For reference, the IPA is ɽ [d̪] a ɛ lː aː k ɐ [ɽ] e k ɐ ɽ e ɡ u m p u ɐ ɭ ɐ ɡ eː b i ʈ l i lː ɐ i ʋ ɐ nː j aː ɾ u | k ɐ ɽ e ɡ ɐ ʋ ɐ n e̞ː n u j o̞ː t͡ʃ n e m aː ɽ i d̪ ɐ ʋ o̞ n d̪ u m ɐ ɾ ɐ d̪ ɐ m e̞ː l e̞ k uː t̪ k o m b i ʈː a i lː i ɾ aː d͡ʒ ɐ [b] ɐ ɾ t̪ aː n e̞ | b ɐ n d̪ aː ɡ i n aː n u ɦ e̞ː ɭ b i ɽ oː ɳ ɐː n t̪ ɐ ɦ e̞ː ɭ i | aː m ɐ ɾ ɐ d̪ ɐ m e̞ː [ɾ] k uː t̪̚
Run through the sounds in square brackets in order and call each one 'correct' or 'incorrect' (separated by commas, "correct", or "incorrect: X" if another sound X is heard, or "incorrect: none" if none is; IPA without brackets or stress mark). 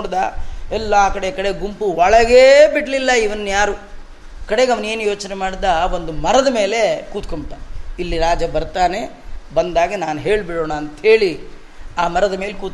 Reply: correct, correct, correct, incorrect: l